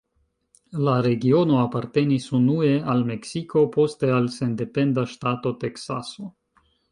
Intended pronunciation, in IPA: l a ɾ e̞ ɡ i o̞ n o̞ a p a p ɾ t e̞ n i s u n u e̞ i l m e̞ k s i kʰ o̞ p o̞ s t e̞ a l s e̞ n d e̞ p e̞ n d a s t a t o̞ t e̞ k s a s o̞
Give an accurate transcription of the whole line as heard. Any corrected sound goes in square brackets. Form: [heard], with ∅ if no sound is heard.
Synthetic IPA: l a ɾ e̞ ɡ i o̞ n o̞ a p a [∅] ɾ t e̞ n i s u n u e̞ [a] l m e̞ k s i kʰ o̞ p o̞ s t e̞ a l s e̞ n d e̞ p e̞ n d a [ʃ] t a t o̞ t e̞ k s a s o̞

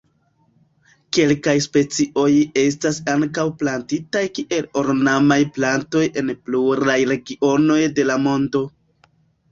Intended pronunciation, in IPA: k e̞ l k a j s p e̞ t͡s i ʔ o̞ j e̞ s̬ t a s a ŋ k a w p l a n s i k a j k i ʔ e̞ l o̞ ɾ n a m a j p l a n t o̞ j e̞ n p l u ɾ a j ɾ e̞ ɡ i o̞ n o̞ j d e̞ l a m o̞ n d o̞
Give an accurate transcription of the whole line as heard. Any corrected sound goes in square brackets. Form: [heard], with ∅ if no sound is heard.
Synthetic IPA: k e̞ l k a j s p e̞ t͡s i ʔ o̞ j e̞ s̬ t a s a ŋ k a w p l a n [t] i [t] a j k i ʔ e̞ l o̞ ɾ n a m a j p l a n t o̞ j e̞ n p l u ɾ a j ɾ e̞ ɡ i o̞ n o̞ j d e̞ l a m o̞ n d o̞

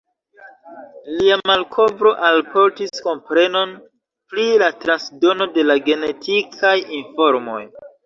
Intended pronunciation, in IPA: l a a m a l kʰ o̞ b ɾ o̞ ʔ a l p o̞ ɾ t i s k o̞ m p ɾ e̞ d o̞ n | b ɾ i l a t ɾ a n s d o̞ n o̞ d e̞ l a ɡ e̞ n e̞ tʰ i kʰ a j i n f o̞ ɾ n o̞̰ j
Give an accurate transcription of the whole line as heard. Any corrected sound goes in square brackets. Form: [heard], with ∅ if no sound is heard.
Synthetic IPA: l [i] a m a l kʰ o̞ b ɾ o̞ ʔ a l p o̞ ɾ t i s k o̞ m p ɾ e̞ [n] o̞ n | [p] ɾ i l a t ɾ a n s d o̞ n o̞ d e̞ l a ɡ e̞ n e̞ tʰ i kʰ a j i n f o̞ ɾ [m] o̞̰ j

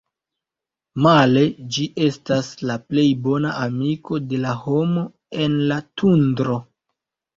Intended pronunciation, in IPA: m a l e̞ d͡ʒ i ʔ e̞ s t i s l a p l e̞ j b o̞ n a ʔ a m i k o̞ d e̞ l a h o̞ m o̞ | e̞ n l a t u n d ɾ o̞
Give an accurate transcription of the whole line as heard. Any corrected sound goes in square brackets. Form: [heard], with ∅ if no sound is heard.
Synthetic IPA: m a l e̞ d͡ʒ i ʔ e̞ s t [a] s l a p l e̞ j b o̞ n a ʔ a m i k o̞ d e̞ l a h o̞ m o̞ | e̞ n l a t u n d ɾ o̞

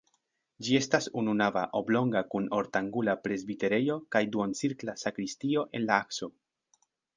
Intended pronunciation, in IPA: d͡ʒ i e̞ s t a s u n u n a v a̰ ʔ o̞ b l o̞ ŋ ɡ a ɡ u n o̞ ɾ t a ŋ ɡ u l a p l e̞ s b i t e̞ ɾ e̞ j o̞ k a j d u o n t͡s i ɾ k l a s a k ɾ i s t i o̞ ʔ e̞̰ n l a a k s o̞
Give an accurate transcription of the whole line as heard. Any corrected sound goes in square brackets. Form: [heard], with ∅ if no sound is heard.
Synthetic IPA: d͡ʒ i e̞ s t a s u n u n a v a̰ ʔ o̞ b l o̞ ŋ ɡ a [k] u n o̞ ɾ t a ŋ ɡ u l a p [ɾ] e̞ [z] b i t e̞ ɾ e̞ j o̞ k a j d u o n t͡s i ɾ k l a s a k ɾ i s t i o̞ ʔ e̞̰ n l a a k s o̞

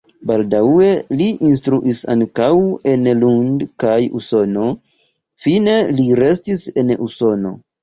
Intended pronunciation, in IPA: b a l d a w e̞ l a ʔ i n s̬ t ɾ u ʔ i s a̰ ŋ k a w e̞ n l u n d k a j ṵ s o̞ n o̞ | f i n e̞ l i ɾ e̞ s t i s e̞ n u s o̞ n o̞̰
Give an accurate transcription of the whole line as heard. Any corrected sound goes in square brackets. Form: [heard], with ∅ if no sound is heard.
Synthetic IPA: b a l d a w e̞ l [i] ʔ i n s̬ t ɾ u ʔ i s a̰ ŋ k a w e̞ n l u n d k a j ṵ s o̞ n o̞ | f i n e̞ l i ɾ e̞ s t i s e̞ n u s o̞ n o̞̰

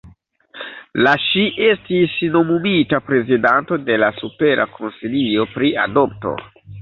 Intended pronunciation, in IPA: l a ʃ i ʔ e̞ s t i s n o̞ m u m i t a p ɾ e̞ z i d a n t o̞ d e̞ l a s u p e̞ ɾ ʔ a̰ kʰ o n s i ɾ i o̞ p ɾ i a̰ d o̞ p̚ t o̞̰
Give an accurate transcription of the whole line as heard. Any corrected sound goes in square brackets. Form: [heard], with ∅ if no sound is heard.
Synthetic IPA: l a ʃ i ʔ e̞ s t i s n o̞ m u m i t a p ɾ e̞ z i d a n t o̞ d e̞ l a s u p e̞ ɾ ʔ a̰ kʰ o n s i [l] i o̞ p ɾ i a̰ d o̞ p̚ t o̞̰

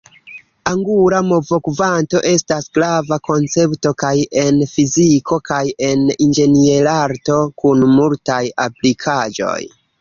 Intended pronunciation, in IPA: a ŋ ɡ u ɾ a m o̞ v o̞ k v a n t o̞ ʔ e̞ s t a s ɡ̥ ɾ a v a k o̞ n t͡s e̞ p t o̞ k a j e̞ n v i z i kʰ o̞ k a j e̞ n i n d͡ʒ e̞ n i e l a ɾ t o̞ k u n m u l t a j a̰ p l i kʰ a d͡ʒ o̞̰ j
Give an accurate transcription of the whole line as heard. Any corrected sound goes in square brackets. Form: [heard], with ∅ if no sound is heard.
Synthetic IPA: a ŋ ɡ u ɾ a m o̞ v o̞ k v a n t o̞ ʔ e̞ s t a s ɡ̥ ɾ a v a k o̞ n t͡s e̞ p t o̞ k a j e̞ n [f] i z i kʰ o̞ k a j e̞ n i n d͡ʒ e̞ n i e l a ɾ t o̞ k u n m u l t a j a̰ p l i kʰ a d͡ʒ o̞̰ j

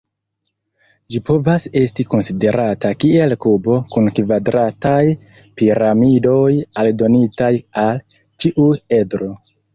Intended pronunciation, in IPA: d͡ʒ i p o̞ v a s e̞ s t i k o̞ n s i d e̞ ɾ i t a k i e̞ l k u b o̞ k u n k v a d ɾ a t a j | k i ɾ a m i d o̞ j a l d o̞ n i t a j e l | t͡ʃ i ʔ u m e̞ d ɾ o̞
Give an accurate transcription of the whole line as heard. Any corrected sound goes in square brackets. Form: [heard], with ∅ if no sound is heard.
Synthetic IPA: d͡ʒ i p o̞ v a s e̞ s t i k o̞ n s i d e̞ ɾ [a] t a k i e̞ l k u b o̞ k u n k v a d ɾ a t a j | [p] i ɾ a m i d o̞ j a l d o̞ n i t a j [a] l | t͡ʃ i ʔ u [∅] e̞ d ɾ o̞

